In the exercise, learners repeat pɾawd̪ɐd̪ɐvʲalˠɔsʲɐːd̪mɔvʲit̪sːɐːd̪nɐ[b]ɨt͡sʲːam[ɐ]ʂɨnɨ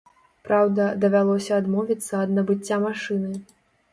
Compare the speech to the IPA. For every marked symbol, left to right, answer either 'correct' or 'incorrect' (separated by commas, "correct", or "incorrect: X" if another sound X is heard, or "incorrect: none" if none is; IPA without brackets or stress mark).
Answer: correct, incorrect: a